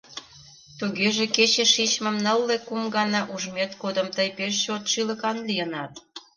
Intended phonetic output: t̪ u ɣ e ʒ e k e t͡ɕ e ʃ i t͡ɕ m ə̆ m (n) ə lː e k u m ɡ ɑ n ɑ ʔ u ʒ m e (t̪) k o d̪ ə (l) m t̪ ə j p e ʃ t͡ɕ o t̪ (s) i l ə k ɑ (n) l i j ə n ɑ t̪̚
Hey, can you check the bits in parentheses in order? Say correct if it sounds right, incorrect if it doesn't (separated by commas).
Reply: correct, correct, incorrect, incorrect, correct